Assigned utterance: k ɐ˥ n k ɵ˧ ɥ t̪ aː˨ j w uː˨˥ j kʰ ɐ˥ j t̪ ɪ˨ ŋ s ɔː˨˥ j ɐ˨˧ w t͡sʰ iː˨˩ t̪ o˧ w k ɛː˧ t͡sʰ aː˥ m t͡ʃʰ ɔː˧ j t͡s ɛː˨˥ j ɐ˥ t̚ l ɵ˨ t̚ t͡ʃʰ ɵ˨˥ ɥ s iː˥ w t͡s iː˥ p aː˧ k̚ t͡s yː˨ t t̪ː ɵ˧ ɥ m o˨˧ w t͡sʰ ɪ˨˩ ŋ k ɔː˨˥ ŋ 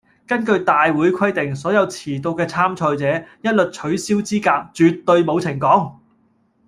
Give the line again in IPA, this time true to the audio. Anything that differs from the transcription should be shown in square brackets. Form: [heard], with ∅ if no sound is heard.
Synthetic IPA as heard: k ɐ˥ n k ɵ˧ ɥ t̪ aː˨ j w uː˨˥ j kʰ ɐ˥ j t̪ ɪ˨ ŋ s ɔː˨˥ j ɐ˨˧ w t͡sʰ iː˨˩ t̪ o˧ w k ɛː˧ t͡sʰ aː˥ m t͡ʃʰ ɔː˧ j t͡s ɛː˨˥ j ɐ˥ t̚ l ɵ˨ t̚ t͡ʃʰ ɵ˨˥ ɥ s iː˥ w t͡s iː˥ [k] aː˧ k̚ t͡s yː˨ t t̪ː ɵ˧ ɥ m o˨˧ w t͡sʰ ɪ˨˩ ŋ k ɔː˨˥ ŋ